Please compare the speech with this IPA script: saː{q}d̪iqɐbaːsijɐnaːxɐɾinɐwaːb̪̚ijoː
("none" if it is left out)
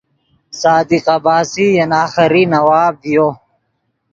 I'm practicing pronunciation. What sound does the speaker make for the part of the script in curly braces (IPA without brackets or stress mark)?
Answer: none